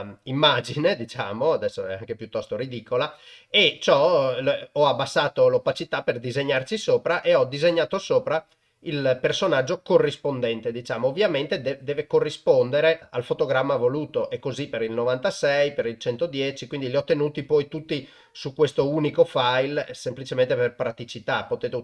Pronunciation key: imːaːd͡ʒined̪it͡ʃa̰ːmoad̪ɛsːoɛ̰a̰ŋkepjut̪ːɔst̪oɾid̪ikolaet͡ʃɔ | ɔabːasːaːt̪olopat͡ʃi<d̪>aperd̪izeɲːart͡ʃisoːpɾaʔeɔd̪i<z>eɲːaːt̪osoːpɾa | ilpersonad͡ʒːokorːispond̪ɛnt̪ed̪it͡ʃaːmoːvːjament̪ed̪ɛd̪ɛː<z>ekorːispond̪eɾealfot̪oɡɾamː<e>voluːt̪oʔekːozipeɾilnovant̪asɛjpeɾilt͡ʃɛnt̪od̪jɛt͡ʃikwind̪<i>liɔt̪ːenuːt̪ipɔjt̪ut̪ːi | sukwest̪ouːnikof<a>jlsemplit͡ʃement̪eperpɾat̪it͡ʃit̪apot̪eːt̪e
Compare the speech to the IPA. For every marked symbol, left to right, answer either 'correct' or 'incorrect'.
incorrect: t̪, correct, incorrect: v, incorrect: a, correct, correct

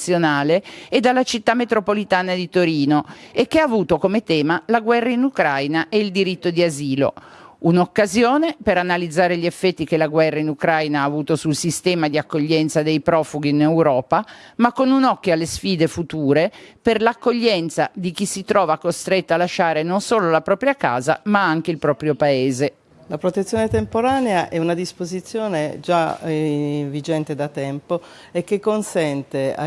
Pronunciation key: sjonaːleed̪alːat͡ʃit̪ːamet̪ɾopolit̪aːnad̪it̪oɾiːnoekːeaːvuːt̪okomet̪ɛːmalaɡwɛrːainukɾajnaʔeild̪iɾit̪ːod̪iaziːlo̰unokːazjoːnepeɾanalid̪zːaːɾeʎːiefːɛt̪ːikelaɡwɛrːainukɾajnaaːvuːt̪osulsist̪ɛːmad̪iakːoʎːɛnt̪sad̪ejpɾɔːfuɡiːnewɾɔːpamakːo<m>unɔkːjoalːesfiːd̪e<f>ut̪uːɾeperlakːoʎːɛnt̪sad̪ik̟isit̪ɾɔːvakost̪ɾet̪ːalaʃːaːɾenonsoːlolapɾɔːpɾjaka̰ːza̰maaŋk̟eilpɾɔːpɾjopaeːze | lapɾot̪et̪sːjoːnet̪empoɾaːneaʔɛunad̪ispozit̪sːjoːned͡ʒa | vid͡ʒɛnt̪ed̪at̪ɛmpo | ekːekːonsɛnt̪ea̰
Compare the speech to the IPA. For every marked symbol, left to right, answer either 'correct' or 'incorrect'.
incorrect: n, correct

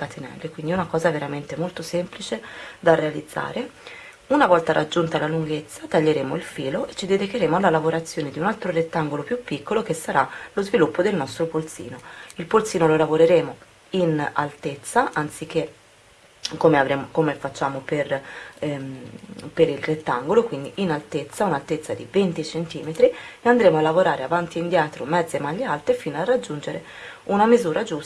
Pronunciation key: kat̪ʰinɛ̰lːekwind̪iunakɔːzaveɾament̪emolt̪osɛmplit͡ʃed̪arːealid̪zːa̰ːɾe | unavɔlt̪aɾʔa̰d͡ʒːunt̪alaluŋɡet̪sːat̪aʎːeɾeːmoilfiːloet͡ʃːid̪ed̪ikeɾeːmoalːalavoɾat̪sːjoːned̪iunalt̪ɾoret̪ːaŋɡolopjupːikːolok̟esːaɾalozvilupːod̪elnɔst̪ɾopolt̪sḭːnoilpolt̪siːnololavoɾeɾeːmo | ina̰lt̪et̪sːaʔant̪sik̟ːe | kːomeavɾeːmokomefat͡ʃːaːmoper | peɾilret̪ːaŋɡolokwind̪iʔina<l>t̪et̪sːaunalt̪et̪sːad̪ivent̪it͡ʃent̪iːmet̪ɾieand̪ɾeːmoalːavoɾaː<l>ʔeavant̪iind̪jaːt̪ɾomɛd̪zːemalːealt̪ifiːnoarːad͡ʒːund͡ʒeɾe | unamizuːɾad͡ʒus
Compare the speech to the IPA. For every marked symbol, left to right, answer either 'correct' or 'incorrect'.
correct, incorrect: ɾ

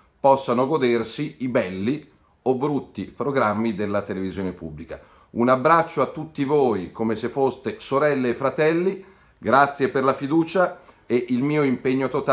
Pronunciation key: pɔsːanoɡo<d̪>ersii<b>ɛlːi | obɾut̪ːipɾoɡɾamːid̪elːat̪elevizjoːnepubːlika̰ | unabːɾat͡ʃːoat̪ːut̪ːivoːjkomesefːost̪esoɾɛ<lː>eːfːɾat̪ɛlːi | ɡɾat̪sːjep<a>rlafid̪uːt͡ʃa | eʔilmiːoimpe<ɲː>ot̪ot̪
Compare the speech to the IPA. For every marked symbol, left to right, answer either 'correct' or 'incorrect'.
correct, correct, correct, incorrect: e, correct

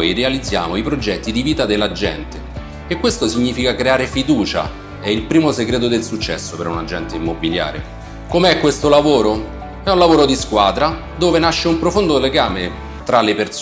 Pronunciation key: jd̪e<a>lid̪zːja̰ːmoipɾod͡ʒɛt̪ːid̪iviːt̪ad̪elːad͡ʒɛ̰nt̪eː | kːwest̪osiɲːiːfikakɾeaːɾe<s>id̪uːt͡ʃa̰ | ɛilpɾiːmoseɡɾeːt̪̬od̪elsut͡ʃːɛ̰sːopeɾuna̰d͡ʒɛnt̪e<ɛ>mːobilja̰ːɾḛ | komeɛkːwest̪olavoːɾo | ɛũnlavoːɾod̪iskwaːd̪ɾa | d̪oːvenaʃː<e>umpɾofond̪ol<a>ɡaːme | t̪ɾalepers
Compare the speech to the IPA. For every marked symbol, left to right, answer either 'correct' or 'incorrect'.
correct, incorrect: f, incorrect: i, correct, incorrect: e

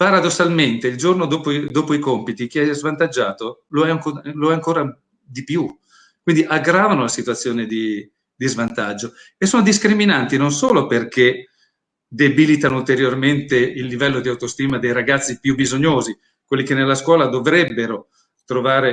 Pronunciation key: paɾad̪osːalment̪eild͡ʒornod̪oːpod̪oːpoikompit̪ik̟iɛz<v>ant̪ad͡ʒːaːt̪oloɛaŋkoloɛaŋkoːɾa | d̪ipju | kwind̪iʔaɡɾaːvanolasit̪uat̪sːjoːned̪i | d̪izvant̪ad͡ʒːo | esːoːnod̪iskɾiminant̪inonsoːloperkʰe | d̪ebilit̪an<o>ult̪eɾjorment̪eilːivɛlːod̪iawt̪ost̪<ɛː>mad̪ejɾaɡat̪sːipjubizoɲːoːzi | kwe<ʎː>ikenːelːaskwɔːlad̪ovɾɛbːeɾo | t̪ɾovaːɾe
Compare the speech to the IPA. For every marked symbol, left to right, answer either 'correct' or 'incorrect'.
correct, correct, incorrect: iː, incorrect: lː

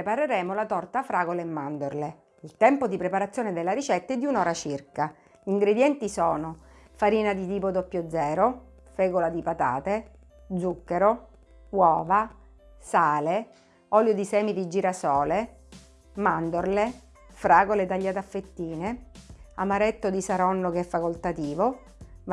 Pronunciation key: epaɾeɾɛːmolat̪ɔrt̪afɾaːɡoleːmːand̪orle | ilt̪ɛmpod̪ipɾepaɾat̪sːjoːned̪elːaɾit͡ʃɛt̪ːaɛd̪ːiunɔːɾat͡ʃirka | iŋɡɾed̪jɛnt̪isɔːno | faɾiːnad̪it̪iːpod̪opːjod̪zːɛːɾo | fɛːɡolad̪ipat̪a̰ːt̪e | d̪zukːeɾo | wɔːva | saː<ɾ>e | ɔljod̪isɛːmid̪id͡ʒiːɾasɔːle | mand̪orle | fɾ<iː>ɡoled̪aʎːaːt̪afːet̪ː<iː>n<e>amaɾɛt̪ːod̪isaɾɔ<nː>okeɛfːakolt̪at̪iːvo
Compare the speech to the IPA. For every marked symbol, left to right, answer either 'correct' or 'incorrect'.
incorrect: l, incorrect: aː, correct, correct, correct

